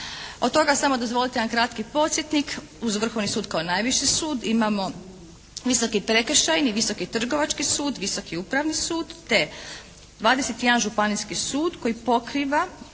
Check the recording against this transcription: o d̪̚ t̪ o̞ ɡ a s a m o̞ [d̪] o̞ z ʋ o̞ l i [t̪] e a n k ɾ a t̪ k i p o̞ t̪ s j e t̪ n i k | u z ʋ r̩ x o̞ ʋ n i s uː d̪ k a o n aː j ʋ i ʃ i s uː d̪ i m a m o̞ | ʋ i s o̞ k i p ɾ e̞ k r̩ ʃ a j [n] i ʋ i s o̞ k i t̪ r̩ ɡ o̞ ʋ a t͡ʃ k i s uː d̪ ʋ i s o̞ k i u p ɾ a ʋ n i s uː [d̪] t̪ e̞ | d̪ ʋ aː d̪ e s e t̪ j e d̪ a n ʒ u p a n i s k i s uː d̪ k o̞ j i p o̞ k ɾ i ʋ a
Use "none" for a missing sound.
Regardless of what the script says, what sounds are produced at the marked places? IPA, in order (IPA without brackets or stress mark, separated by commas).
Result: d̪, t̪, n, d̪